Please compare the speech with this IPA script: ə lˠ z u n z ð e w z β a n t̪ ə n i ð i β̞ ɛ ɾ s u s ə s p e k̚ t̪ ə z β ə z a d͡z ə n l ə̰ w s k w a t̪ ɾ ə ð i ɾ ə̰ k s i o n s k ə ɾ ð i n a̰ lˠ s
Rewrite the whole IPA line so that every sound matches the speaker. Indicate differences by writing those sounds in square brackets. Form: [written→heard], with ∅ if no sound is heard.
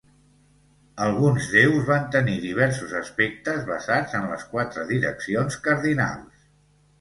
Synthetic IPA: ə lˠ [z→ɣ] u n z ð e w z β a n t̪ ə n i ð i β̞ ɛ ɾ s u [s→z] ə s p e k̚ t̪ ə z β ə z a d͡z ə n l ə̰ [w→∅] s k w a t̪ ɾ ə ð i ɾ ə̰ k s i o n s k ə ɾ ð i n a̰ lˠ s